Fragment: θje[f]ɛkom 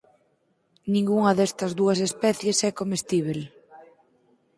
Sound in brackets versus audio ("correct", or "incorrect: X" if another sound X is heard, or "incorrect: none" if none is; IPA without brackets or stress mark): incorrect: s